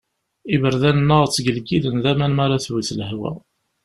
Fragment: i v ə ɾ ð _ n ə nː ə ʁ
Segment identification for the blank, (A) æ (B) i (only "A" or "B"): A